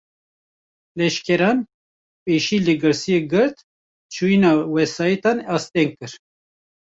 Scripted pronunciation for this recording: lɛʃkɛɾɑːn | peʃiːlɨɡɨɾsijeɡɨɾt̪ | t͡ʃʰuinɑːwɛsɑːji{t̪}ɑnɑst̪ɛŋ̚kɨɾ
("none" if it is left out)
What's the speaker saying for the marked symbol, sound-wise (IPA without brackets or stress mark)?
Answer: t̪